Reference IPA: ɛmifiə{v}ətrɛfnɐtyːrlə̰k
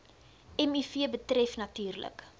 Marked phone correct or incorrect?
incorrect